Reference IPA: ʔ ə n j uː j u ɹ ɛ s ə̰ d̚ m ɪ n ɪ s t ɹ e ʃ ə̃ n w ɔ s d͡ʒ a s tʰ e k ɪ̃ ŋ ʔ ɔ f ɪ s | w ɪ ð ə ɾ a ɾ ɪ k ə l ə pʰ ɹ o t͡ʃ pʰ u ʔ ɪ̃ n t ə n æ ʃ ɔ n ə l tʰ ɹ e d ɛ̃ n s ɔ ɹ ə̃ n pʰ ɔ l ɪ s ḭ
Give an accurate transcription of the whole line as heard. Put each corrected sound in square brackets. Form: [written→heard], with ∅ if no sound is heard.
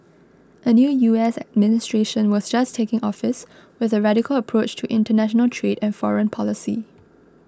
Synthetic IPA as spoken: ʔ ə n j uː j u [ɹ→∅] ɛ s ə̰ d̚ m ɪ n ɪ s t ɹ e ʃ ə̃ n w ɔ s d͡ʒ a s tʰ e k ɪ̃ ŋ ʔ ɔ f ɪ s | w ɪ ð ə [ɾ→ɹ] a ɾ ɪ k ə l ə pʰ ɹ o t͡ʃ [pʰ→tʰ] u ʔ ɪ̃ n t ə n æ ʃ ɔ n ə l tʰ ɹ e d ɛ̃ n [s→f] ɔ ɹ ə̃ n pʰ ɔ l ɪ s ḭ

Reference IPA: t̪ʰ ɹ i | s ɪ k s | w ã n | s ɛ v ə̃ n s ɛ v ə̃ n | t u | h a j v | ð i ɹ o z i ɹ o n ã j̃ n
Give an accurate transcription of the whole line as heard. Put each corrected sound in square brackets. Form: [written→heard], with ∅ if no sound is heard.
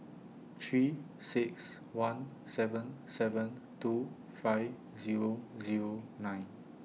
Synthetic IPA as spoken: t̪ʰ ɹ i | s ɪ k s | w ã n | s ɛ v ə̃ n s ɛ v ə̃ n | t u | [h→f] a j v | [ð→z] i ɹ o z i ɹ o n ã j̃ n

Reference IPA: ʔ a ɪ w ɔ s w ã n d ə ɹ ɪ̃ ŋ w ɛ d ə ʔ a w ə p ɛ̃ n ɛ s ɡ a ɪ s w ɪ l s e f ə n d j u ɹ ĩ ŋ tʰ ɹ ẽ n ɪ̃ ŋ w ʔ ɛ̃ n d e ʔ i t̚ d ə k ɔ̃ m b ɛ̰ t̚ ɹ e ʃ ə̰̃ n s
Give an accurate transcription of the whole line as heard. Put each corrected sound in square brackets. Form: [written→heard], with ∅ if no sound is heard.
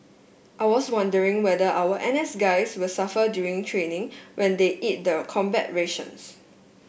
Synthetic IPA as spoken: ʔ a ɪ w ɔ s w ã n d ə ɹ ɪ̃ ŋ w ɛ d ə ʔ a w ə [p→ʔ] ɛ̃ n ɛ s ɡ a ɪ s w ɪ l s [e→a] f ə [n→∅] d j u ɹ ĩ ŋ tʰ ɹ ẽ n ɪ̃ ŋ w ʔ ɛ̃ n d e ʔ i t̚ d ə [k→kʰ] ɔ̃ m b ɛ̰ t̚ ɹ e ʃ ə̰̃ n s

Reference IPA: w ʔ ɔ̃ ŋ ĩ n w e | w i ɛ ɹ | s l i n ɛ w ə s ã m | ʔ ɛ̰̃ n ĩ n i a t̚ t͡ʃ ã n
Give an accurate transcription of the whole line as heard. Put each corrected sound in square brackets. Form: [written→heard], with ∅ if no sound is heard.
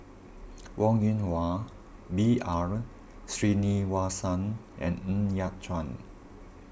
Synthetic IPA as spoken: w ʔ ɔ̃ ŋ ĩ n w [e→a] | [w→b] i [ɛ→a] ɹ | s [l→ɹ] i n [ɛ→i] w [ə→a] s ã [m→n] | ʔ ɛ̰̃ n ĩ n [i→j] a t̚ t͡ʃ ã n

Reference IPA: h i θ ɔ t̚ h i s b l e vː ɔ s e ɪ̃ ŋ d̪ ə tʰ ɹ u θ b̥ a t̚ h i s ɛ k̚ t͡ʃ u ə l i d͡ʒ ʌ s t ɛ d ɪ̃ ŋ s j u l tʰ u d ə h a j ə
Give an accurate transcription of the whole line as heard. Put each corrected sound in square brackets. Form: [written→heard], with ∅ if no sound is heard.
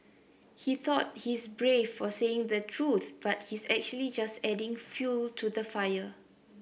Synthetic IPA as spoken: h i θ ɔ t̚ h i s b [l→ɹ] e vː ɔ s e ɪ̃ ŋ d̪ ə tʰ ɹ u θ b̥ a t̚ h i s ɛ k̚ t͡ʃ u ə l i d͡ʒ [ʌ→a] s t ɛ d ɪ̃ ŋ [s→f] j u l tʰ u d ə [h→f] a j ə

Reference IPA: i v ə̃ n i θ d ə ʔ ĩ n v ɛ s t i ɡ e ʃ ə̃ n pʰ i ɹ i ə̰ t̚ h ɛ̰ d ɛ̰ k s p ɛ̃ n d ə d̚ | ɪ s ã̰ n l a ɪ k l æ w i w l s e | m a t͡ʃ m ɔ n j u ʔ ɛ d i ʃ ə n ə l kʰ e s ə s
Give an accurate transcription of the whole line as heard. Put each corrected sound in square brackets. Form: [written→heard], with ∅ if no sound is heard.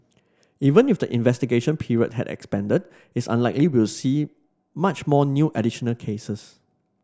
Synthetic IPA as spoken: i v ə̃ n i [θ→f] d ə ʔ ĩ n v ɛ s t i ɡ e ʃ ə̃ n pʰ i ɹ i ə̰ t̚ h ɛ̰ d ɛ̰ k s p ɛ̃ n d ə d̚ | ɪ s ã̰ n l a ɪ k l [æ→i] w i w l s [e→i] | m a t͡ʃ m ɔ n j u ʔ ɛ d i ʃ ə n ə l kʰ e s ə s

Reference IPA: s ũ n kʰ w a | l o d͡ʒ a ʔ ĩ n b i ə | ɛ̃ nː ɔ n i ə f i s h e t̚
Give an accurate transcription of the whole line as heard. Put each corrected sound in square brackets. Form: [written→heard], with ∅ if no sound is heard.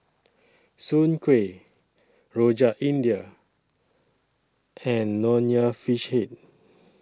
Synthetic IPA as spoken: s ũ n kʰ w [a→e] | [l→ɹ] o d͡ʒ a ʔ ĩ n [b→d] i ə | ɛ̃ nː ɔ n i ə f i [s→ʃ] h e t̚

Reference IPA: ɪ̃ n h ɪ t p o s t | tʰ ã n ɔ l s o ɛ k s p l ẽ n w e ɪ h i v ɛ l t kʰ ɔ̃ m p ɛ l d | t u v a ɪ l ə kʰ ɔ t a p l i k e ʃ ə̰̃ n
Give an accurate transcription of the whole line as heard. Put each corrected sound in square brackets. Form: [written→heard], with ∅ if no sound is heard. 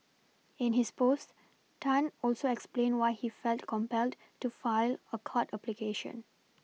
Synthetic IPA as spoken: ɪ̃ n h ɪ [t→s] p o s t | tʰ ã n ɔ l s o ɛ k s p l ẽ n w [e→a] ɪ h i [v→f] ɛ l t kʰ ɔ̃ m p ɛ l d | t u [v→f] a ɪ l ə kʰ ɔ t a p l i k e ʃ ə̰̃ n

